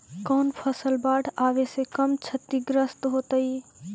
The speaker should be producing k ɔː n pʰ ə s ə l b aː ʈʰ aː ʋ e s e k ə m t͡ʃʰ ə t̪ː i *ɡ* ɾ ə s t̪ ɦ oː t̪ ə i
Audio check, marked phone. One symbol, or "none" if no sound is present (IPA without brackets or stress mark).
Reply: ɡ